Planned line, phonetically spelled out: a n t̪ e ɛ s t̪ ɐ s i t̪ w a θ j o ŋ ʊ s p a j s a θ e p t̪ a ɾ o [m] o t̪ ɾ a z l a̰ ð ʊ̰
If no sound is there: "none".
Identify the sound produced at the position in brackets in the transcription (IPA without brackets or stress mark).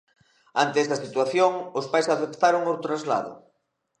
ŋ